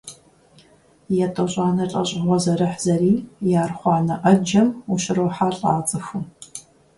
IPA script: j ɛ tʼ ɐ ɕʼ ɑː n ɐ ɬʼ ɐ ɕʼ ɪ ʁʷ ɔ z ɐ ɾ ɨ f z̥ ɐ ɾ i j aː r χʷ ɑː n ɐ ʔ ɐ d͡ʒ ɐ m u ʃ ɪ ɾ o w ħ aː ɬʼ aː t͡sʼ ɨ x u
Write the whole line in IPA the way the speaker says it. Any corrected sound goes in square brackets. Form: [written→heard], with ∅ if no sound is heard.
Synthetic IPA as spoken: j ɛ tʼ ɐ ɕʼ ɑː n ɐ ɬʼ ɐ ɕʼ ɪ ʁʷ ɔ z ɐ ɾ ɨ [f→ħ] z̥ ɐ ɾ [i→iː] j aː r χʷ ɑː n ɐ ʔ ɐ d͡ʒ ɐ m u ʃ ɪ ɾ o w ħ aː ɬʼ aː t͡sʼ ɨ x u